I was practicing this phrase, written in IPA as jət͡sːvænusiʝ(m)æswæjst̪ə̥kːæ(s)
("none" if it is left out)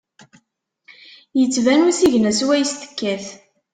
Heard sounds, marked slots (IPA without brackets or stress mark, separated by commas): n, θ